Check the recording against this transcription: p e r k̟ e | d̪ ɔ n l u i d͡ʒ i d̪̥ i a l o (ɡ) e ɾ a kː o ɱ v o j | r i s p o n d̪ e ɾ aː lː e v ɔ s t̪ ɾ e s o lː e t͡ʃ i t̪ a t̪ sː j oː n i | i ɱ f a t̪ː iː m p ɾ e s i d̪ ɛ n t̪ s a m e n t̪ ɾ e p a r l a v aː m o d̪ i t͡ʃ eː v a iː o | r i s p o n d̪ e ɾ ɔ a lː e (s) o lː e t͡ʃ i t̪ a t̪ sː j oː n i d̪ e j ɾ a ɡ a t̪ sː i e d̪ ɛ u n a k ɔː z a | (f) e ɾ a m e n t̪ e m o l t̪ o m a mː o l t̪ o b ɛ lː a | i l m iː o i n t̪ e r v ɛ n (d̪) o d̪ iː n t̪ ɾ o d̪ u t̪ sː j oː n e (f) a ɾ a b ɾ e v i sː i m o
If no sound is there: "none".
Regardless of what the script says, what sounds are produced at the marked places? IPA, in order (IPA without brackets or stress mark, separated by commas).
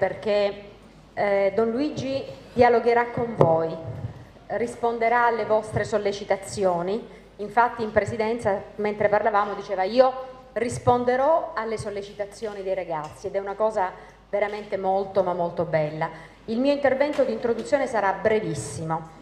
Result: ɡ, s, v, t̪, s